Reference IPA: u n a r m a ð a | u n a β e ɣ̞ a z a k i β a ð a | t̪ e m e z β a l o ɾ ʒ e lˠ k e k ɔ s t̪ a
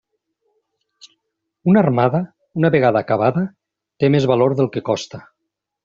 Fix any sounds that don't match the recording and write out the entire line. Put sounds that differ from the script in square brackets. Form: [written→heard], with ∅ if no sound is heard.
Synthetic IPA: u n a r m a ð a | u n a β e ɣ̞ a [z→ð] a k [i→a] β a ð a | t̪ e m e z β a l o ɾ [ʒ→ð] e lˠ k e k ɔ s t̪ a